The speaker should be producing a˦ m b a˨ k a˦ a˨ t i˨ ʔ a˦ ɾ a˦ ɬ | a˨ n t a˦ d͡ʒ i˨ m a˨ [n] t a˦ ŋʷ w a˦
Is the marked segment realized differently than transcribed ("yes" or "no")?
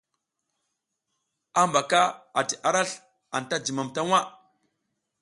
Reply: yes